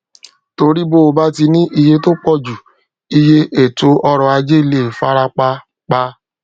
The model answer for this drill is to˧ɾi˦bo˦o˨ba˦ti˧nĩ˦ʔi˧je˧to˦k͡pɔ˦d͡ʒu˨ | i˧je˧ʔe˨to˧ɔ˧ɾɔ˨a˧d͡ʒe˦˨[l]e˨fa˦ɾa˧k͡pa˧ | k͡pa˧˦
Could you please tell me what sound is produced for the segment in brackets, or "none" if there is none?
l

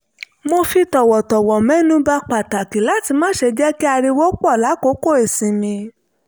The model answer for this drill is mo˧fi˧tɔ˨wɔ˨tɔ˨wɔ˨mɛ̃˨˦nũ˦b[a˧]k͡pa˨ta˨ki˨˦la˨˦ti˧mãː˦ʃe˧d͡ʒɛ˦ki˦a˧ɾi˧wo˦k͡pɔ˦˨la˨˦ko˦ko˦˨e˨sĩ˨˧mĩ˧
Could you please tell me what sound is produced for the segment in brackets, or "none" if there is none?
a˧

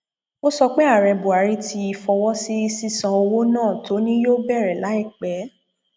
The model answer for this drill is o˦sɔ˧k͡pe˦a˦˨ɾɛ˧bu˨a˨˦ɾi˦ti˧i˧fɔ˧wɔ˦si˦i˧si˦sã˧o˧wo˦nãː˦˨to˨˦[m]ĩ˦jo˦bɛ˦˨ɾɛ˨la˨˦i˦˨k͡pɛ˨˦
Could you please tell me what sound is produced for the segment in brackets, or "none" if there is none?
n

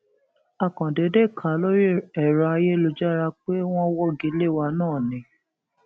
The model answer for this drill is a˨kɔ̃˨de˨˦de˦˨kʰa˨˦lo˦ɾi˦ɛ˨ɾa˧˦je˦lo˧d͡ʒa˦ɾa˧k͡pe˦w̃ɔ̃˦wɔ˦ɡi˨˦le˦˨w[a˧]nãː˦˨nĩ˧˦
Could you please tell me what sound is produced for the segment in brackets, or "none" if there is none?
a˧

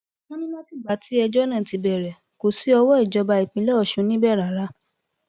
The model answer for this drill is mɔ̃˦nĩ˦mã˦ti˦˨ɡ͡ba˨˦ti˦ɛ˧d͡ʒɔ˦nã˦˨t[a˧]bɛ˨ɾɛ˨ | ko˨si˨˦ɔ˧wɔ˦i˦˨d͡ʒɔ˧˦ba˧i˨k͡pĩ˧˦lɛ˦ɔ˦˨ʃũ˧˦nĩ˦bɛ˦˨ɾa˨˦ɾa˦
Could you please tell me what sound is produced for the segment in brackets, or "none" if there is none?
i˧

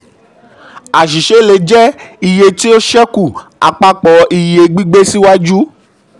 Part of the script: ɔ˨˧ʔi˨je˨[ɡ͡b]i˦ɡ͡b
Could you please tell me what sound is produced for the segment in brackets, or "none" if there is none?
ɡ͡b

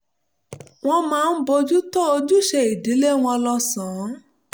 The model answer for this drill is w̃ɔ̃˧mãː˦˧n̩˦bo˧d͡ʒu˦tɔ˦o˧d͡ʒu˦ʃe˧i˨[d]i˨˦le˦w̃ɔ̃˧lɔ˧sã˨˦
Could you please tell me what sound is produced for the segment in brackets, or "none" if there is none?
d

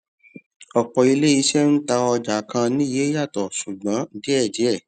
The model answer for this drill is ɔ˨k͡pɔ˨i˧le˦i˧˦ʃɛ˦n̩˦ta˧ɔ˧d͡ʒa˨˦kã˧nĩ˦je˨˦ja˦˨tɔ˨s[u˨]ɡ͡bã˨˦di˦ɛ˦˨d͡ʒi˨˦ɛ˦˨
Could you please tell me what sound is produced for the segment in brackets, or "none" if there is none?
u˨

